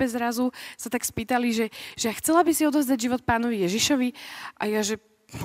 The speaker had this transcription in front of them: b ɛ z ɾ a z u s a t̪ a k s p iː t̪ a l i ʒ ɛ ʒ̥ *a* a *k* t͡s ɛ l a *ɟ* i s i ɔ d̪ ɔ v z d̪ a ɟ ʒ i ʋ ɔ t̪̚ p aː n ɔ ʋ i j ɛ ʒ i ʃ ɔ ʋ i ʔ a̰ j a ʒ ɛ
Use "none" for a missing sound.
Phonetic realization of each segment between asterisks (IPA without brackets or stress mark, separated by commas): ɛ, x, b